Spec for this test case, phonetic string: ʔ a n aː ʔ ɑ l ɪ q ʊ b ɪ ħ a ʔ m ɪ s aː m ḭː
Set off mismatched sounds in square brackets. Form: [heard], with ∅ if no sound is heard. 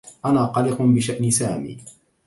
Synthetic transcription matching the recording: ʔ a n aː [q] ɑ l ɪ q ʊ b ɪ [ʃ] a ʔ [n] ɪ s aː m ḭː